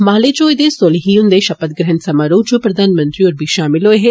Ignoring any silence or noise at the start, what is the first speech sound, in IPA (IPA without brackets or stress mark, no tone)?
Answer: m